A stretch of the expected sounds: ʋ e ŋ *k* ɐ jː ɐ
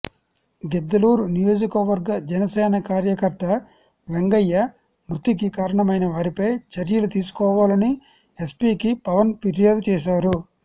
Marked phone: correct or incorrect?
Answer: incorrect